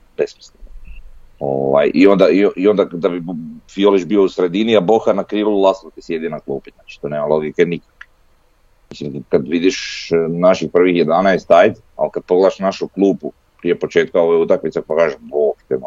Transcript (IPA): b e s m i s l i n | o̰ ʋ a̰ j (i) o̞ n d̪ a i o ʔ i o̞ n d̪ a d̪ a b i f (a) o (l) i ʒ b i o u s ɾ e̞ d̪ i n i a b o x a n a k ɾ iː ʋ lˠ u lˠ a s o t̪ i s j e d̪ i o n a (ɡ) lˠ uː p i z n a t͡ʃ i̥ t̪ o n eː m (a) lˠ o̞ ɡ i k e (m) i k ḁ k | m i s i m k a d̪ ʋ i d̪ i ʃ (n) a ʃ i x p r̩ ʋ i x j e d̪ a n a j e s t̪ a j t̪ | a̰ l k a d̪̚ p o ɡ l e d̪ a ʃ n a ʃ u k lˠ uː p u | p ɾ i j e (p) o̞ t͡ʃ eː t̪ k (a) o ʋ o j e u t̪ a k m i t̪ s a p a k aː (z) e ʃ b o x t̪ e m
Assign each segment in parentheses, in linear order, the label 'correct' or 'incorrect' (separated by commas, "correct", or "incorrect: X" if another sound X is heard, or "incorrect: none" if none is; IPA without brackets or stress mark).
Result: correct, incorrect: i, correct, incorrect: k, correct, incorrect: n, correct, correct, correct, incorrect: ʒ